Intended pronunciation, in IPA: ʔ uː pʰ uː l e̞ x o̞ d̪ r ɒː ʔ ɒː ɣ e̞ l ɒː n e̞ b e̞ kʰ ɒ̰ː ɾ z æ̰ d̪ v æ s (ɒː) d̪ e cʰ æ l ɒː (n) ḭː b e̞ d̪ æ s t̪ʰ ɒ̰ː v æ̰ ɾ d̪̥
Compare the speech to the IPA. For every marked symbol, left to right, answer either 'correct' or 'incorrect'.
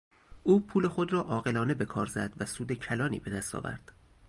incorrect: uː, correct

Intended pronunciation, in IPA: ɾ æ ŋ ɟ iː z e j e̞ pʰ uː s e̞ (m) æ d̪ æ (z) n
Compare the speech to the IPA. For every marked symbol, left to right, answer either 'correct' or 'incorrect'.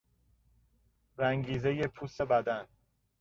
incorrect: b, incorrect: none

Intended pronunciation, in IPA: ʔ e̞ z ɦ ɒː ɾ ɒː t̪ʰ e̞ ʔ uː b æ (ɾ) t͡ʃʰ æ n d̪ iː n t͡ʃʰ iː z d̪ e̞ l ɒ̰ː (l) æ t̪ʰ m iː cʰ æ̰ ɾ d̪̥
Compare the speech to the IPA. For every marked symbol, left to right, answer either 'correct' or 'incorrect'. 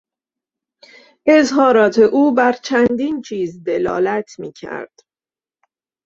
correct, correct

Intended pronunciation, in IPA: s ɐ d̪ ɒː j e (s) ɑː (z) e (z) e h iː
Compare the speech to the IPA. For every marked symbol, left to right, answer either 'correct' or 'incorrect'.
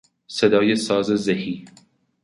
correct, correct, correct

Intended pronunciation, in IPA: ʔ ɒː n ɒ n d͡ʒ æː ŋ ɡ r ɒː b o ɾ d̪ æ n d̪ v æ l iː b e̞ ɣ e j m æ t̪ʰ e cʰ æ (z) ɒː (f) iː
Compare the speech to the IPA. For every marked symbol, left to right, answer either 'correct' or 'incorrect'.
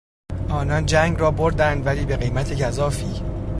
correct, correct

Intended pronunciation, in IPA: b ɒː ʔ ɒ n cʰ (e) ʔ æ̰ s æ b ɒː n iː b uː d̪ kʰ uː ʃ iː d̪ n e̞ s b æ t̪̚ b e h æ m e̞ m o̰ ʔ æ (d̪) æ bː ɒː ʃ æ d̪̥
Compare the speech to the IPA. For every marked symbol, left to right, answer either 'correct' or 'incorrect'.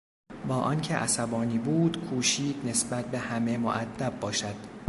correct, incorrect: d̪ː

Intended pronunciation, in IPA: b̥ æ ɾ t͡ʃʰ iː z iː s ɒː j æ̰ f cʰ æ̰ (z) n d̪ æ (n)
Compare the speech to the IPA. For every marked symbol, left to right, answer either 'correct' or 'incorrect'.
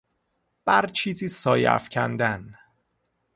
incorrect: none, correct

